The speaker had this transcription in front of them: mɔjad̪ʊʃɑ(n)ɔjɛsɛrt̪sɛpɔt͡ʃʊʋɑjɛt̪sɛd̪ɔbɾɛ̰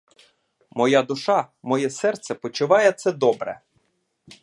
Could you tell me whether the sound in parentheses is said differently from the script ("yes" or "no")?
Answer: yes